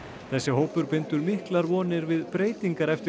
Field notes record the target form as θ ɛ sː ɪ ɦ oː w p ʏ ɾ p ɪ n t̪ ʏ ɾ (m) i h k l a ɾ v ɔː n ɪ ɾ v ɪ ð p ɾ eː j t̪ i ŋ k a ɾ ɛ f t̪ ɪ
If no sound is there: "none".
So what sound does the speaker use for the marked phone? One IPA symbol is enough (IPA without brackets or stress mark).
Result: m